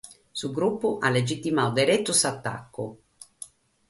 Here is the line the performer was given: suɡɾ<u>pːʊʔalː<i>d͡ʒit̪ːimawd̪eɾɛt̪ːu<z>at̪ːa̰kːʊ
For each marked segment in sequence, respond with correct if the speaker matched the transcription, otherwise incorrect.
correct, incorrect, incorrect

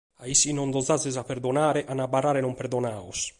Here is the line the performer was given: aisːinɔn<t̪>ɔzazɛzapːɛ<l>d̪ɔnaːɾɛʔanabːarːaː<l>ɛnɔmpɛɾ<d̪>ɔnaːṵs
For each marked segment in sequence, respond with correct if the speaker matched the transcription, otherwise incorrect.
incorrect, incorrect, incorrect, correct

